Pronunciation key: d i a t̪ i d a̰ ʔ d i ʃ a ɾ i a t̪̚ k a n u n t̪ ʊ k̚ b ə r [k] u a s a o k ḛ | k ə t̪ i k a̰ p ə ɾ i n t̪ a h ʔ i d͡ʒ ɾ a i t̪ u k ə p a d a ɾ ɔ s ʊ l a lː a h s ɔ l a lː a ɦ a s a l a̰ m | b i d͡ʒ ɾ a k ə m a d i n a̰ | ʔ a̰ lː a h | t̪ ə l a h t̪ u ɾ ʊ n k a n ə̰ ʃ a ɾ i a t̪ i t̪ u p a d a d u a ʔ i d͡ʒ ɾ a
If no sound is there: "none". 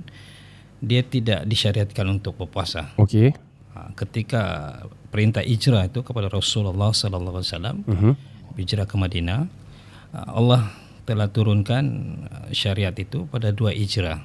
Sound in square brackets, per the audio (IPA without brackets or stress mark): p